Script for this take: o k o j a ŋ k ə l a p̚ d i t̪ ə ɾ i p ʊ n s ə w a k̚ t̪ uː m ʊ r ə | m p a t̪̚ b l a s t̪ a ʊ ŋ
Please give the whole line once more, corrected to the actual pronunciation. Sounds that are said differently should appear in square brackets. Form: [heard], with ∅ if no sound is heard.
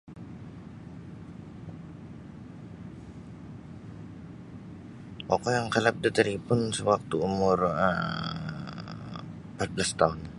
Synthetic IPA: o k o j a ŋ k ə l a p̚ d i t̪ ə ɾ i p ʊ n s ə w a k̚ t̪ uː m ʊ r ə | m p a t̪̚ b l a s t̪ a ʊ [n]

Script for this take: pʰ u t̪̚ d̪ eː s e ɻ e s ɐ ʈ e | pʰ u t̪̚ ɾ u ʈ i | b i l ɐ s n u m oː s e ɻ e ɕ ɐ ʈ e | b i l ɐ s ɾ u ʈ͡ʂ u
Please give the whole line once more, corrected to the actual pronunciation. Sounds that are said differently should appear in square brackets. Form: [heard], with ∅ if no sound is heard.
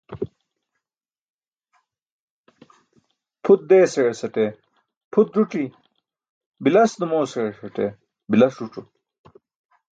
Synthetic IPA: pʰ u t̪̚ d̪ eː s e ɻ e s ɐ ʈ e | pʰ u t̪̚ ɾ u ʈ i | b i l ɐ s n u m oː s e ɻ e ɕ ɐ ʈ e | b i l ɐ s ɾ u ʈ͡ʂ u

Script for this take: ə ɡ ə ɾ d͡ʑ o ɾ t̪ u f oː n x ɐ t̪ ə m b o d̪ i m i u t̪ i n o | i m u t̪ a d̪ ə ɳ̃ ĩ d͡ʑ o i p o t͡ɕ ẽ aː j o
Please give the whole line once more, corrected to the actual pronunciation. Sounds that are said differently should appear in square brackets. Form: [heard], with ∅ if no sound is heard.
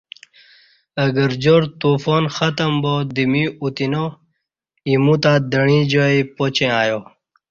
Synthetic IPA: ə ɡ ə ɾ d͡ʑ o ɾ t̪ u f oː n x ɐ t̪ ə m b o d̪ i m i u t̪ i n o | i m u t̪ a d̪ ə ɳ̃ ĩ d͡ʑ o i p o t͡ɕ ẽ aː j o

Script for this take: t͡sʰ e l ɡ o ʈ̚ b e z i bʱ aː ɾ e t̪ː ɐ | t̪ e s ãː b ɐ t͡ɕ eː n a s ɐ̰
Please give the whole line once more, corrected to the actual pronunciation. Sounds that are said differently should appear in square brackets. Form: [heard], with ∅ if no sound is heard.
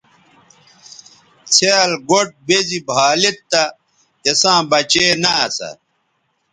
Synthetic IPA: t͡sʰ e l ɡ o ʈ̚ b e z i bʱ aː [l] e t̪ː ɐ | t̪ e s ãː b ɐ t͡ɕ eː n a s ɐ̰

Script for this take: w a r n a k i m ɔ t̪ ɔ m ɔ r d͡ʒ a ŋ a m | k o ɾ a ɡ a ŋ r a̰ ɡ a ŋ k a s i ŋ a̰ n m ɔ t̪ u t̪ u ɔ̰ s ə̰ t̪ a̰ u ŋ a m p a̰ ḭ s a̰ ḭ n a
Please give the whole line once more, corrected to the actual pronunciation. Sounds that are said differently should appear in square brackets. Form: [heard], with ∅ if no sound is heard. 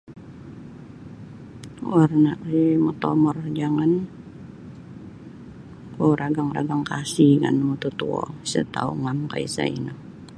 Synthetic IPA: w a r n a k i m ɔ t̪ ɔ m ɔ r d͡ʒ a ŋ a [n] | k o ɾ a ɡ a ŋ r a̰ ɡ a ŋ k a s i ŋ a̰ n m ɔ t̪ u t̪ u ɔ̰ s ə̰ t̪ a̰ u ŋ a m [k] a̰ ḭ s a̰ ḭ n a

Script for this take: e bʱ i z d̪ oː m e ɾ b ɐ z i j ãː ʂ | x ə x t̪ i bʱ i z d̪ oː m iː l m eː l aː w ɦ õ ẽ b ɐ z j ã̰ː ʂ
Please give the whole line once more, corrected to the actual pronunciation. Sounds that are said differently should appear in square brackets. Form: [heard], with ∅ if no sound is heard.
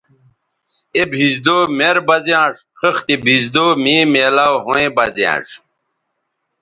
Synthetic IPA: e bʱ i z d̪ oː m e ɾ b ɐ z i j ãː ʂ | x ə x t̪ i bʱ i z d̪ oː m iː [∅] m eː l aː w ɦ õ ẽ b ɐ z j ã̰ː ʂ

